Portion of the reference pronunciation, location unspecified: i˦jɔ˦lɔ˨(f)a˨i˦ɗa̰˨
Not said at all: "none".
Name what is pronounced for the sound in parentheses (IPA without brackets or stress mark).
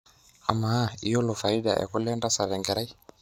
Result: f